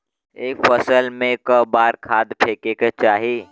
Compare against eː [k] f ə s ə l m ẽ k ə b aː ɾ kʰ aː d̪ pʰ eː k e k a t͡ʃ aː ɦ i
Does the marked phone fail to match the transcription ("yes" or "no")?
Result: no